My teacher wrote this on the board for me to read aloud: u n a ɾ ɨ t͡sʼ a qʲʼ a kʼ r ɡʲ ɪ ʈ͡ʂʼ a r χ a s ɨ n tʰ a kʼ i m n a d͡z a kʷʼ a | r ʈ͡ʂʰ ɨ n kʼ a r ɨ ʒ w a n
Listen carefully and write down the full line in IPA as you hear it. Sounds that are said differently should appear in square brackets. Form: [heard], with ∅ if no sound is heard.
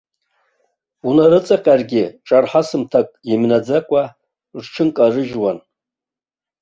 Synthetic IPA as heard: u n a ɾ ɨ t͡sʼ a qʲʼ a [∅] r ɡʲ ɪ ʈ͡ʂʼ a r [ħ] a s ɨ [m] tʰ a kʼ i m n a d͡z a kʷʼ a | r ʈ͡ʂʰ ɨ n kʼ a r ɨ ʒ w a n

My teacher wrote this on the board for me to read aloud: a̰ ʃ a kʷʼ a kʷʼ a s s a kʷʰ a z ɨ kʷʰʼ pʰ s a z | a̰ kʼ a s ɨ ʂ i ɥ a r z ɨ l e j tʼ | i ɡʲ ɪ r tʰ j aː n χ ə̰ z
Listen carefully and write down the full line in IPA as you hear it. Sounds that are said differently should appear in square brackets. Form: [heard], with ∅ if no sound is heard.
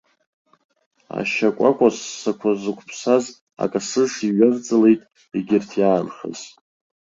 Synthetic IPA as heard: a̰ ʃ a kʷʼ a kʷʼ a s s a kʷʰ a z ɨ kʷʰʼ pʰ s a z | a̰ kʼ a s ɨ ʂ i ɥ a r [d͡z] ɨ l e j tʼ | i ɡʲ ɪ r tʰ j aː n χ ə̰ z

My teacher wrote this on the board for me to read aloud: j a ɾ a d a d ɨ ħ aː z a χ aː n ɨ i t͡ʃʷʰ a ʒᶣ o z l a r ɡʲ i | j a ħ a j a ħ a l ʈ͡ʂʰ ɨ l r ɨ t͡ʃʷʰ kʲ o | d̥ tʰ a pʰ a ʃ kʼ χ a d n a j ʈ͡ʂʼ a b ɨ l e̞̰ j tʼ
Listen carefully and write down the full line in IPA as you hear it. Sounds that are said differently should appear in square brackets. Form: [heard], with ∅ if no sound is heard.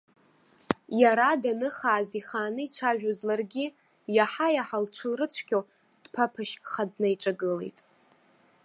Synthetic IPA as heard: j a ɾ a d a [n] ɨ [χ] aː z [i] χ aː n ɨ i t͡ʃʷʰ a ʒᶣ o z l a r ɡʲ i | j a ħ a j a ħ a l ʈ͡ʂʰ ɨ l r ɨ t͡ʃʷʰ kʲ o | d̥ [pʰ] a pʰ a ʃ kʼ χ a d n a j ʈ͡ʂʼ a [ɡ] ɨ l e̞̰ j tʼ

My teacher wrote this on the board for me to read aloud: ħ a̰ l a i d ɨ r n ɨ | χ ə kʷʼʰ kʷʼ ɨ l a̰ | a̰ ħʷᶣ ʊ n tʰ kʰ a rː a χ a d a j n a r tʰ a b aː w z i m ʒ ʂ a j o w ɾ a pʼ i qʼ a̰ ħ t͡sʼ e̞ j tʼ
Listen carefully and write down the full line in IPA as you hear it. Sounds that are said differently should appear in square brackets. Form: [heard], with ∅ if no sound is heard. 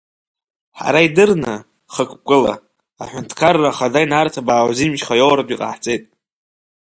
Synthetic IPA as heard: ħ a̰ [ɾ] a i d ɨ r n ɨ | χ ə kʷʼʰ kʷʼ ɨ l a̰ | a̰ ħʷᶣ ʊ n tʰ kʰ a rː a χ a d a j n a r tʰ a b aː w z i m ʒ [χ] a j o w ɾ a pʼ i qʼ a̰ ħ t͡sʼ e̞ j tʼ

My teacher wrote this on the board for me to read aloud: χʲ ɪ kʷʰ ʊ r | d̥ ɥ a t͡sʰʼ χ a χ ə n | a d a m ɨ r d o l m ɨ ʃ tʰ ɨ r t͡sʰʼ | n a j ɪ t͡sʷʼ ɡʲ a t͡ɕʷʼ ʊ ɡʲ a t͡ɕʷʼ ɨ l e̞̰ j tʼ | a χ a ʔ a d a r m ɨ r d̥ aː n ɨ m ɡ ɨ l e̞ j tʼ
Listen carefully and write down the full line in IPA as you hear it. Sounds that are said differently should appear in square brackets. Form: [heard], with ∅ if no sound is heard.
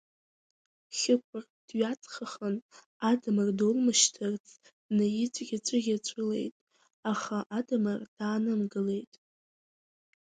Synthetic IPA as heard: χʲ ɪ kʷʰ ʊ r | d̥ ɥ a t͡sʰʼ χ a χ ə n | a d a m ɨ r d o l m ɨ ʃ tʰ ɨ r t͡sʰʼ | n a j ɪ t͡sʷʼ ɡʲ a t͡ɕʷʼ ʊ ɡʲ a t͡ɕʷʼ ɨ l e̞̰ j tʼ | a χ a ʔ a d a [∅] m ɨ r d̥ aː n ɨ m ɡ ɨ l e̞ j tʼ

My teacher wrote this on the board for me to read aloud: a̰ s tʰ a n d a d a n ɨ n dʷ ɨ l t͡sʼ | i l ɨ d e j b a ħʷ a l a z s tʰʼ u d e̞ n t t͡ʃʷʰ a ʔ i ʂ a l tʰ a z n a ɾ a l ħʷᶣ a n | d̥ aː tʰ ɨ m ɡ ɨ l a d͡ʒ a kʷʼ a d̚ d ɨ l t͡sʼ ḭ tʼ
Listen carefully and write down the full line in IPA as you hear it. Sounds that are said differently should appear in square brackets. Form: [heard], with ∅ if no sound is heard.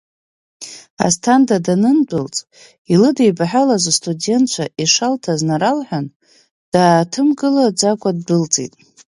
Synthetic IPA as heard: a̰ s tʰ a n d a d a n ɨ n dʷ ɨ l t͡sʼ | i l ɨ d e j b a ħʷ a l a z s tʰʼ u d e̞ n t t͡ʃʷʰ a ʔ i ʂ a l tʰ a z n a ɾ a l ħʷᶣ a n | d̥ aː tʰ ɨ m ɡ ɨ l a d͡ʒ a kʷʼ a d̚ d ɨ l t͡sʼ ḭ tʼ

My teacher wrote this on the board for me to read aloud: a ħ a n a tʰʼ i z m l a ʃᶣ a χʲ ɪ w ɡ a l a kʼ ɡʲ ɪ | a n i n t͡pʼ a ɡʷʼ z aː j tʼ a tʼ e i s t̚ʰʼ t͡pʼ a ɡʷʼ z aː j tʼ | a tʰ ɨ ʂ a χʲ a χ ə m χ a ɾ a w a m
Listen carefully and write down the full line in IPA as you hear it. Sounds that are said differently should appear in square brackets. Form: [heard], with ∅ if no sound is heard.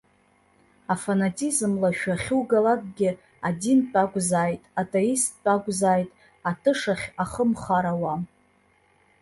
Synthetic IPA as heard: a [f] a n a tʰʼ i z m l a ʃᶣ a χʲ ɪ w ɡ a l a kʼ ɡʲ ɪ | a [d] i n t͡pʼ a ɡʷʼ z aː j tʼ a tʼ e i s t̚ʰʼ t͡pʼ a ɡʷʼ z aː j tʼ | a tʰ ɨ ʂ a χʲ a χ ə m χ a ɾ a w a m

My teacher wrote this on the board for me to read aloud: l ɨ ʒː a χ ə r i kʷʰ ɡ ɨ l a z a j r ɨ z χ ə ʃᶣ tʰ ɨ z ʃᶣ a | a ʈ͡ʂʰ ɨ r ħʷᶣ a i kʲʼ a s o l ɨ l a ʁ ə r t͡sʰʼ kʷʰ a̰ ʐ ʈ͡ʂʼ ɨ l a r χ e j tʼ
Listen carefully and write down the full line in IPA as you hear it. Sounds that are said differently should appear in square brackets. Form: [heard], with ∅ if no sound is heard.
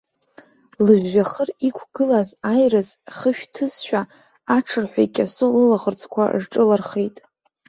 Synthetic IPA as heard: l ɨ ʒː a χ ə r i kʷʰ ɡ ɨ l a z a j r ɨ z χ ə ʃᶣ tʰ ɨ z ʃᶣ a | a ʈ͡ʂʰ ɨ r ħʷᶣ a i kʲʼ a s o l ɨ l a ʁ ə r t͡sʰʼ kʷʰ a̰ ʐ ʈ͡ʂʼ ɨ l a r χ e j tʼ

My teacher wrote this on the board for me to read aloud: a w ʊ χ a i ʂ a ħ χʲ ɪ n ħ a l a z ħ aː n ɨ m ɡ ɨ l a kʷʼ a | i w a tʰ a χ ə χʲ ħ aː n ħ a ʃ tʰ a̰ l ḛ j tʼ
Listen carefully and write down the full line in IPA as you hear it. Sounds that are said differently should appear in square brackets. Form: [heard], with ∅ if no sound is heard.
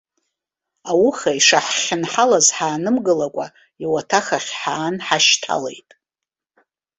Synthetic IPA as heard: a w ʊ χ a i ʂ a ħ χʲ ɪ n ħ a l a z ħ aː n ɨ m ɡ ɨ l a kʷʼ a | i w a tʰ a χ [a] χʲ ħ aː n ħ a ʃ tʰ a̰ l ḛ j tʼ

